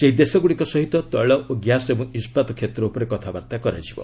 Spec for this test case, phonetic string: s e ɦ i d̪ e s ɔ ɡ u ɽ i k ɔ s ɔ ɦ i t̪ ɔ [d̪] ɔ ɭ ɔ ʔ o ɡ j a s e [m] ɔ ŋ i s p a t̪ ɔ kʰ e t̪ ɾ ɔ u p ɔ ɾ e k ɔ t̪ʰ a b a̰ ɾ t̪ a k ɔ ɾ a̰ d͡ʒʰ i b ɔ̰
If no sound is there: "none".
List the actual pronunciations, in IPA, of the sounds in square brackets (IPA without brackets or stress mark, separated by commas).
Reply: t̪, b